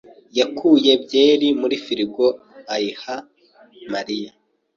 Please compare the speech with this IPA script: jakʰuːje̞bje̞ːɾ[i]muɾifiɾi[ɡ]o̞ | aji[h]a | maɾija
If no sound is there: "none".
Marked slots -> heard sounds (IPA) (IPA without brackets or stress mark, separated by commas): i, ɡ, h